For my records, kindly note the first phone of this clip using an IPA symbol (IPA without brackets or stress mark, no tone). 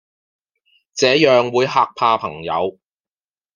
t͡s